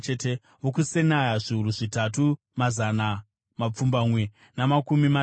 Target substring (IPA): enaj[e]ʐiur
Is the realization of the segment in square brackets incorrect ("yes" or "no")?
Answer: yes